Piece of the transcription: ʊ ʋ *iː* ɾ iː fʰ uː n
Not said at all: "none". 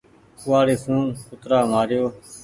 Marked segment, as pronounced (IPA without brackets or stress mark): aː